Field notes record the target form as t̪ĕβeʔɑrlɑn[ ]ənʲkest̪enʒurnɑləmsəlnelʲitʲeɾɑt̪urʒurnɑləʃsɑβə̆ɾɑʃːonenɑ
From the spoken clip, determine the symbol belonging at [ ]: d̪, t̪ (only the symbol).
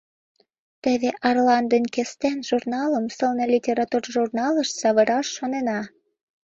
d̪